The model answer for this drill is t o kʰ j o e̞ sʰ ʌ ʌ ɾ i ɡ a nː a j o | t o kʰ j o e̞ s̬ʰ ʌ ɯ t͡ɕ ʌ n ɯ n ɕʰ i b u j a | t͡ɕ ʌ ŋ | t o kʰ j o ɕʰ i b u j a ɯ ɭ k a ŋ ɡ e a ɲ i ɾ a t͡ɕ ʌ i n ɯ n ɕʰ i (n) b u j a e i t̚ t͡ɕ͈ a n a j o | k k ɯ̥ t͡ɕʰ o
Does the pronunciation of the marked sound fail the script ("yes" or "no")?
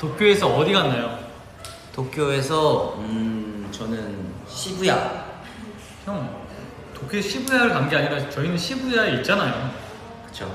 yes